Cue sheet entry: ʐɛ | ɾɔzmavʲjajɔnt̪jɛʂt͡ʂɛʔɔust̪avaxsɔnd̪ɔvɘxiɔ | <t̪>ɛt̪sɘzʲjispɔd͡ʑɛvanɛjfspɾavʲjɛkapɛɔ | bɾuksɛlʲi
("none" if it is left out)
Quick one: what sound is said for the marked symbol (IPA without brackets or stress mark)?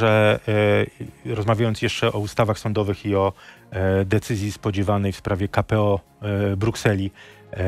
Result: d̪